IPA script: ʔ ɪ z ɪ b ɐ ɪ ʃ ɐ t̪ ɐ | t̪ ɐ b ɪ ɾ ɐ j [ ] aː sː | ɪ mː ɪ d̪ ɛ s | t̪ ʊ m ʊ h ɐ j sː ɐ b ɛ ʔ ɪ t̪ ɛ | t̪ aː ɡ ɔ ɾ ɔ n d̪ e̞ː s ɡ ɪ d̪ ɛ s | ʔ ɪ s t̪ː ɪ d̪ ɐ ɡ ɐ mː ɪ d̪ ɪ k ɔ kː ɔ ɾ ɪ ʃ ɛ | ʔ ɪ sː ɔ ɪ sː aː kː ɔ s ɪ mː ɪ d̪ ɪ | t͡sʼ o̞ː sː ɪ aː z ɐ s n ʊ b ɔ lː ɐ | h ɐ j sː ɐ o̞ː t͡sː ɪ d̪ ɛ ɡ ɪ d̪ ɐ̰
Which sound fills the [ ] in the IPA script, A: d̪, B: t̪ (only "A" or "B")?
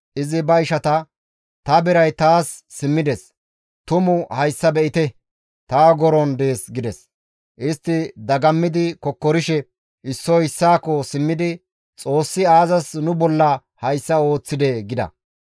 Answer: B